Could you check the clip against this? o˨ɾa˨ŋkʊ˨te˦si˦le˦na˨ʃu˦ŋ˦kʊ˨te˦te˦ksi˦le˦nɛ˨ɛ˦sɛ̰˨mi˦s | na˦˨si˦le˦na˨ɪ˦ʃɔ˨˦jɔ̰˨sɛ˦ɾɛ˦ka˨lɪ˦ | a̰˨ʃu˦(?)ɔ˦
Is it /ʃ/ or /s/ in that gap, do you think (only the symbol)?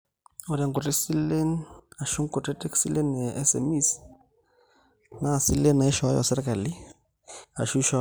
ʃ